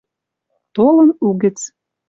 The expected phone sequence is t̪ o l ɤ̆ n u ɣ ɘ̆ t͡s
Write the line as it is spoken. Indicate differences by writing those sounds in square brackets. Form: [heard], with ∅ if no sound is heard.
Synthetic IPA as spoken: t̪ o l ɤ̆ n u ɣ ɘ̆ t͡s